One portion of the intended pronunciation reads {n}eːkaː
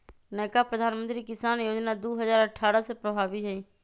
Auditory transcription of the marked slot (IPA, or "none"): n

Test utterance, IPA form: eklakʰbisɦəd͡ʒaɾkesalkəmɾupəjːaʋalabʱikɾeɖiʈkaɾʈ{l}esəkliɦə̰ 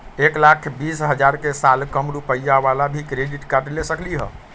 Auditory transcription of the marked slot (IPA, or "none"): l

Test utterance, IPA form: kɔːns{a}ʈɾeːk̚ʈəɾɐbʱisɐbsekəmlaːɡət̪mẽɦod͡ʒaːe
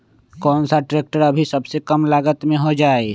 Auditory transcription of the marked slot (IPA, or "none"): a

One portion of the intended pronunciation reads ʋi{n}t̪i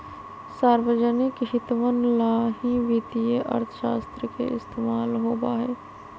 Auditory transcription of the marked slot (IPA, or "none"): none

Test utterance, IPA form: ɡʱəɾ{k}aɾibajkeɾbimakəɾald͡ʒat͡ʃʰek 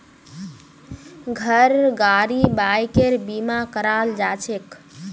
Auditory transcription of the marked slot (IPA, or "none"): ɡ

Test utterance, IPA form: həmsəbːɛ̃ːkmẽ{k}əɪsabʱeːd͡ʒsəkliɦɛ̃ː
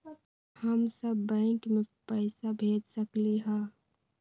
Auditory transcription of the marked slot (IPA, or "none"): p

